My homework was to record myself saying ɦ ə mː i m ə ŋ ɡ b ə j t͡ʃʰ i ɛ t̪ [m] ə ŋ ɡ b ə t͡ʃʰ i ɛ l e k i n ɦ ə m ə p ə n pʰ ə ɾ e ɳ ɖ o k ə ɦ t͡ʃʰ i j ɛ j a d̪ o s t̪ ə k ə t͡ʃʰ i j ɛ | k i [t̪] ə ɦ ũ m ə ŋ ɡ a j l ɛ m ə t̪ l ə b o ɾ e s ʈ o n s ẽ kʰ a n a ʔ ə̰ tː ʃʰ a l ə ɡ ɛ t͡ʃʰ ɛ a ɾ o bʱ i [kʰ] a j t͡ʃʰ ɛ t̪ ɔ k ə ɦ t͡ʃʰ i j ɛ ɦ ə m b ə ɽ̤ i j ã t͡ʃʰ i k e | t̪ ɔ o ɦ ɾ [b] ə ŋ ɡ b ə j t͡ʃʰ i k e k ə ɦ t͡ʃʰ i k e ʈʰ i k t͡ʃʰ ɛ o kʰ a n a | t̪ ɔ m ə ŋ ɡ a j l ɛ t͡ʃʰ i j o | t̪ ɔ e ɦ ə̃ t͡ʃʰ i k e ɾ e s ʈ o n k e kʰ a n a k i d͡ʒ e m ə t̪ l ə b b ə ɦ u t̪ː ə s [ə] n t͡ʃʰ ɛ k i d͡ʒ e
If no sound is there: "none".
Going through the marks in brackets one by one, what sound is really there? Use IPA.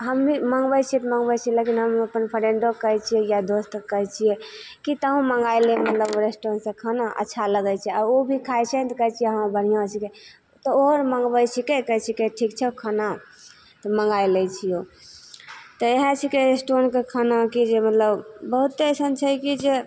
m, t̪, kʰ, m, ə

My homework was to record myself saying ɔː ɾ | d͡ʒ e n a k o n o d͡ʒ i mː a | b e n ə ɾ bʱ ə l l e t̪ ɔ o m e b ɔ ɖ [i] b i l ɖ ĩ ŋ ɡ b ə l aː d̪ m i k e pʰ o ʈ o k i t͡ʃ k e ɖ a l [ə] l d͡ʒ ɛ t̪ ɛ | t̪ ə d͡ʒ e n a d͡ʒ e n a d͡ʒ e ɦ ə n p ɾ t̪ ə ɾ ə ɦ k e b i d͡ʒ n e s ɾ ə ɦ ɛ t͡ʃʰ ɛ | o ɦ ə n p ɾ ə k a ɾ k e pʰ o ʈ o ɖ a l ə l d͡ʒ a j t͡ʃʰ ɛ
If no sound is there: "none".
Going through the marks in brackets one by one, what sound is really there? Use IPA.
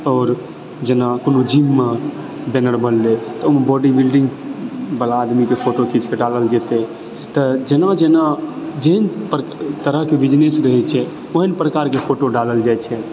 i, ə

